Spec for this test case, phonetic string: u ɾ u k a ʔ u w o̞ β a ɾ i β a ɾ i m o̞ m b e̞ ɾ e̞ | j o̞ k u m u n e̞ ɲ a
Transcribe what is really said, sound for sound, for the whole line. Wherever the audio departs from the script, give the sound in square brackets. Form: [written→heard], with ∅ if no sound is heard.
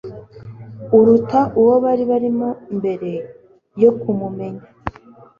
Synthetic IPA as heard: u ɾ u [k→t] a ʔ u w o̞ β a ɾ i β a ɾ i m o̞ m b e̞ ɾ e̞ | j o̞ k u m u [n→m] e̞ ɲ a

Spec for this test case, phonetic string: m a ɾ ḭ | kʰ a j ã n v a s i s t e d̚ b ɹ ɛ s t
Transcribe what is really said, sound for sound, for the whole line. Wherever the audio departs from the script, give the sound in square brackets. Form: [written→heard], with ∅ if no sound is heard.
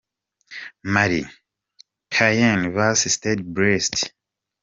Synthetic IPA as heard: m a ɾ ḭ | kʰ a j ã n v a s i s t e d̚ b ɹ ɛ s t

